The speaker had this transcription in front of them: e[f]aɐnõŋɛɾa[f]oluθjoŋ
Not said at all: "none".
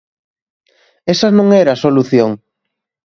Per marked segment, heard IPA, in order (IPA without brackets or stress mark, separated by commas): s, s